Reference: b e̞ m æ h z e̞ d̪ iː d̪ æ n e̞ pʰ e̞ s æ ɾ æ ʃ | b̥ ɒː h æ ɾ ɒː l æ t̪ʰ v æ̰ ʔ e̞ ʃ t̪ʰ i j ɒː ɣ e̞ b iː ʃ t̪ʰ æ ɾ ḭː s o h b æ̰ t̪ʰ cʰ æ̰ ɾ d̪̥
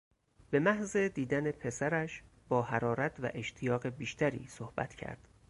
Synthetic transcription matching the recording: b e̞ m æ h z e̞ d̪ iː d̪ æ n e̞ pʰ e̞ s æ ɾ æ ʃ | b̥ ɒː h æ ɾ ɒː ɾ æ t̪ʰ v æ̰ ʔ e̞ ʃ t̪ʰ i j ɒː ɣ e̞ b iː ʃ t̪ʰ æ ɾ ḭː s o h b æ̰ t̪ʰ cʰ æ̰ ɾ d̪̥